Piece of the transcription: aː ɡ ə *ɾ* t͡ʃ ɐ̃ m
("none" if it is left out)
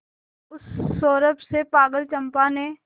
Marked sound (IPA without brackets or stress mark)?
l